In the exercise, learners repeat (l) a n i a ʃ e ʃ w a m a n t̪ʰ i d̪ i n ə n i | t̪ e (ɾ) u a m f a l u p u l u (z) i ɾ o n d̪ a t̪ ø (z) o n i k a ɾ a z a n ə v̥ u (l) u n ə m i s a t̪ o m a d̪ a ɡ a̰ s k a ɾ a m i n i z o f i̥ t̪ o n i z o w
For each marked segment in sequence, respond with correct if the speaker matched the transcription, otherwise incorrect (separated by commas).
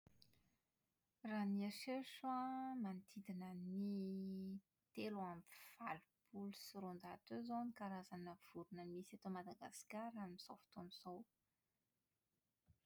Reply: incorrect, incorrect, incorrect, correct, incorrect